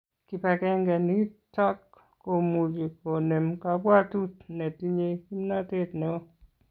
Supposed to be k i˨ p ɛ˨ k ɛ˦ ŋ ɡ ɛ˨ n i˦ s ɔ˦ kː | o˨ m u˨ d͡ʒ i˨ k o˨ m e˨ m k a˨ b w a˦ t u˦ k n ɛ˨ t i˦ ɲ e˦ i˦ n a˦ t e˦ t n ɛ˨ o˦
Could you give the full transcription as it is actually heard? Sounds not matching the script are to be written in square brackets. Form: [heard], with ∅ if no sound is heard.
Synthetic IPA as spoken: k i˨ p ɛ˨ k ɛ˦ ŋ ɡ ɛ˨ n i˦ [t] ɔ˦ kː | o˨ m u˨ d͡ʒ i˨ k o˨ [n] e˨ m k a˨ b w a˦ t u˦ [t] n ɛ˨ t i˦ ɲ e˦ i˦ n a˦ t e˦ t n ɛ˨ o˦